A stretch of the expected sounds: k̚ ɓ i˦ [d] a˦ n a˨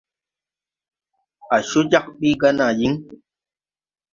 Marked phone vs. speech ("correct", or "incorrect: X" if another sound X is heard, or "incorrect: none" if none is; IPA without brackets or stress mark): incorrect: ɡ